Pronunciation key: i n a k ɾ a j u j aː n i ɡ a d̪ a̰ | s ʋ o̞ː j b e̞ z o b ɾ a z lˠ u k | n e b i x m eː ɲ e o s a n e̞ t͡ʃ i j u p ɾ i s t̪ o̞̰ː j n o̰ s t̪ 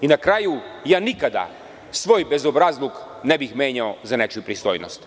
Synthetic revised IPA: i n a k ɾ a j u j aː n i k a d̪ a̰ | s ʋ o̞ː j b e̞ z o b ɾ a z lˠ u k | n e b i x m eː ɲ a o z a n e̞ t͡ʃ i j u p ɾ i s t̪ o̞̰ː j n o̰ s t̪